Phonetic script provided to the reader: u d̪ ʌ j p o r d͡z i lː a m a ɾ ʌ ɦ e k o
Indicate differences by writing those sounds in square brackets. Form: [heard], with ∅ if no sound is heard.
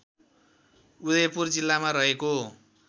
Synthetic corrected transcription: u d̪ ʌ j p [u] r d͡z i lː a m a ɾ ʌ ɦ e k o